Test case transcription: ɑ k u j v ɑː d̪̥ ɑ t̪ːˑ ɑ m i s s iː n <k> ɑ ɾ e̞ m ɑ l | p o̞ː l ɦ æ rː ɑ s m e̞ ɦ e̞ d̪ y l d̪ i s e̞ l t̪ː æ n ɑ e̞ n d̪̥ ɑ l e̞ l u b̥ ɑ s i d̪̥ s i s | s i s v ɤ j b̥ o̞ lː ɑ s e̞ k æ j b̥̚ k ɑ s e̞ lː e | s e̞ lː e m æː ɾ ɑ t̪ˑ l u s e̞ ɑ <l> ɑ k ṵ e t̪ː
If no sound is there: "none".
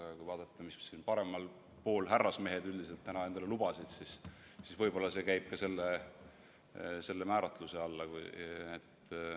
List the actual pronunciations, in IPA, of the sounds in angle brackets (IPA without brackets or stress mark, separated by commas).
p, lː